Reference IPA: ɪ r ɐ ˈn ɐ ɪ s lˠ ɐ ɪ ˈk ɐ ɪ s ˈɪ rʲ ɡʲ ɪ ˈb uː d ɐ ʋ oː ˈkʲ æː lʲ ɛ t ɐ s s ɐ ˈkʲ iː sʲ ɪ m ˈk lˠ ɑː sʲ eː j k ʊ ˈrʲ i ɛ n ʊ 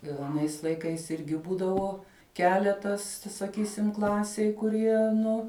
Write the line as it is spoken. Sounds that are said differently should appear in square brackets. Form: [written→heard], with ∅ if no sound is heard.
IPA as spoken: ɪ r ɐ ˈn ɐ ɪ s lˠ ɐ ɪ ˈk ɐ ɪ s ˈɪ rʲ ɡʲ ɪ ˈb uː d ɐ ʋ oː ˈkʲ æː lʲ ɛ t ɐ s s ɐ ˈkʲ iː sʲ ɪ m ˈk lˠ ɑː sʲ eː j k ʊ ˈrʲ i ɛ n ʊ